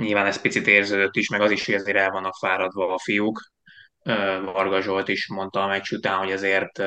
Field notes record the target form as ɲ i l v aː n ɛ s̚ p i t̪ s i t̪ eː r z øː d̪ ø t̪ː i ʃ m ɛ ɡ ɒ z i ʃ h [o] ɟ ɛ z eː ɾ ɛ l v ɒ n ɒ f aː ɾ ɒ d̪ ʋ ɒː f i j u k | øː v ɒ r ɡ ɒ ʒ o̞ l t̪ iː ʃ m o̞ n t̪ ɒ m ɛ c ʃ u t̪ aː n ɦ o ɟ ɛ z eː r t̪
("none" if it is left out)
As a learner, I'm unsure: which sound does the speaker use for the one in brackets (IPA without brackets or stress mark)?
o